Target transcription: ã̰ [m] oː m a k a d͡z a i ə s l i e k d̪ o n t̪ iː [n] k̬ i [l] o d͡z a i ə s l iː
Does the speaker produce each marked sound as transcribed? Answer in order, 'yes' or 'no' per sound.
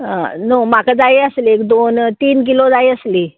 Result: no, yes, yes

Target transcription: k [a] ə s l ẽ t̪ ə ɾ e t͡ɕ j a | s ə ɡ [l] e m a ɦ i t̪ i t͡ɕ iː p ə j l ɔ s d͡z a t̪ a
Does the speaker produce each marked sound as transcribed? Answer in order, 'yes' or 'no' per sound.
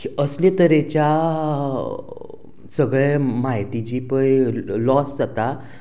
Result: no, no

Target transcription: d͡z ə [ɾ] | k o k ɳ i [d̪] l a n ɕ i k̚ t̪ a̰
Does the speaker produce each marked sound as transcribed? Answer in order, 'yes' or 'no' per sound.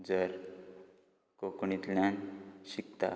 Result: yes, no

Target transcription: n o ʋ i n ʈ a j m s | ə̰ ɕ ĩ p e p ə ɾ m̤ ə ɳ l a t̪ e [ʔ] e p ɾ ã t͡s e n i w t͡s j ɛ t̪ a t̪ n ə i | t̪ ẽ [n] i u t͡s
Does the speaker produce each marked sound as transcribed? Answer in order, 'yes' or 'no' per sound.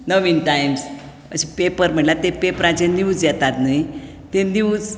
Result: no, yes

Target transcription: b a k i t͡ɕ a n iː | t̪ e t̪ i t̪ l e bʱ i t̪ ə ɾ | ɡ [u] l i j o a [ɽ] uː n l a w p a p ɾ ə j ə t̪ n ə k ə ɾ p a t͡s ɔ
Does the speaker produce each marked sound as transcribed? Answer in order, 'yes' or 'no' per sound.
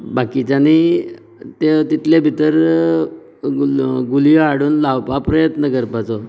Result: yes, yes

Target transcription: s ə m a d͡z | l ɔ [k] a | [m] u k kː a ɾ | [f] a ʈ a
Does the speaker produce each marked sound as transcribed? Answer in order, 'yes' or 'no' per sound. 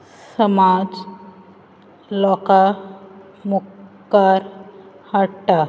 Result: yes, yes, no

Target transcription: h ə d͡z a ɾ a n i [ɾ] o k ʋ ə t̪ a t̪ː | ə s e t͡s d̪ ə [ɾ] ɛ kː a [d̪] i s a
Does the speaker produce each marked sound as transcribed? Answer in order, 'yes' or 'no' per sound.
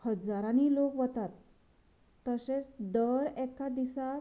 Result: no, yes, yes

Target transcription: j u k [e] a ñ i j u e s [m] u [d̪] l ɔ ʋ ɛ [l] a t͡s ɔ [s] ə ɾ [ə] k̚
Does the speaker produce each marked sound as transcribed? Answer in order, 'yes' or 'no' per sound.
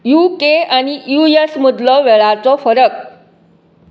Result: yes, yes, yes, no, no, yes

